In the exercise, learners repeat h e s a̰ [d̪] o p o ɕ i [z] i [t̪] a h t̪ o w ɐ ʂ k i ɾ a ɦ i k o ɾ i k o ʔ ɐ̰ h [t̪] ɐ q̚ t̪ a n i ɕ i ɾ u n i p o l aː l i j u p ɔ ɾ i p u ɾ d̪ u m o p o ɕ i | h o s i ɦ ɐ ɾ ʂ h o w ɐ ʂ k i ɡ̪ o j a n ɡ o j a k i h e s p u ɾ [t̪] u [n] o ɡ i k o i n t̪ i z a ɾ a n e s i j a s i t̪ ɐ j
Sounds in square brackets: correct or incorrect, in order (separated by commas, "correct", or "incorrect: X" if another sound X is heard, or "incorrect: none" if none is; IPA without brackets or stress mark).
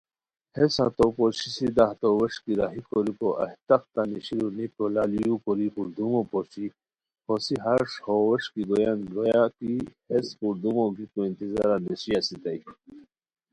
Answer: incorrect: t̪, incorrect: s, incorrect: d̪, correct, incorrect: d̪, incorrect: m